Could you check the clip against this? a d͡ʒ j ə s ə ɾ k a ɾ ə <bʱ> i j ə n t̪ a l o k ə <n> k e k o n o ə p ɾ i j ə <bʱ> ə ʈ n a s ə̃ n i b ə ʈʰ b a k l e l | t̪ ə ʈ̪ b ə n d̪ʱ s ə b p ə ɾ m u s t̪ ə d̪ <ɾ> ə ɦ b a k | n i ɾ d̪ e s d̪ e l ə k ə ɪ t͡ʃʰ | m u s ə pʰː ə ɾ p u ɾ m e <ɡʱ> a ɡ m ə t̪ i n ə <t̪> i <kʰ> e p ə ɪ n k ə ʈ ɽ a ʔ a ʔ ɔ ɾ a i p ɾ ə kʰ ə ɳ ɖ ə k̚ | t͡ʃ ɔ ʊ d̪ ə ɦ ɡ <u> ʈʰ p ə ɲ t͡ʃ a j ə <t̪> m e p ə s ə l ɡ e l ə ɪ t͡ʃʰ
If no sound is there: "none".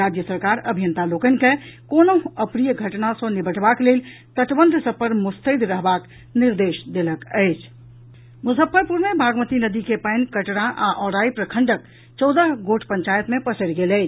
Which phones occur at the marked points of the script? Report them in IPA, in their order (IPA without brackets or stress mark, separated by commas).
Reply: bʱ, n, ɡʱ, ɾ, bʱ, d̪, k, o, t̪